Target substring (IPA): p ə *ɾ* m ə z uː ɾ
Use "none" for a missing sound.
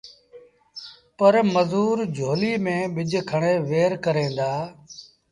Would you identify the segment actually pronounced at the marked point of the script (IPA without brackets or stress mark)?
ɾ